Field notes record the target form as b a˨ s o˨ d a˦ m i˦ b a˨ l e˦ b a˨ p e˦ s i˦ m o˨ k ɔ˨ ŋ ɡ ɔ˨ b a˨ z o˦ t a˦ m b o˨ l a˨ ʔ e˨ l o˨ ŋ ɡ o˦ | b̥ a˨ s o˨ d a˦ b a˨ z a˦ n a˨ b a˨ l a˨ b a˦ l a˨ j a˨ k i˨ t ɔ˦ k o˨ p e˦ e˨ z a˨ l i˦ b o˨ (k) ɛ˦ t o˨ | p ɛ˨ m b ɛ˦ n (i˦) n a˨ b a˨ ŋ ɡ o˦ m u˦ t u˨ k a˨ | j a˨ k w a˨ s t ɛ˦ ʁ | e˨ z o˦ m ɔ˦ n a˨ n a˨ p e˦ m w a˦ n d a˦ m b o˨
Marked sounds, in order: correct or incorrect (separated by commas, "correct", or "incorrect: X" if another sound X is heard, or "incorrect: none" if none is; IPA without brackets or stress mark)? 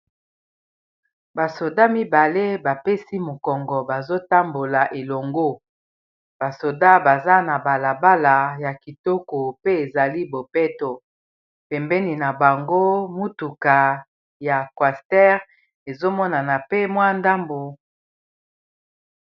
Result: incorrect: p, incorrect: i˨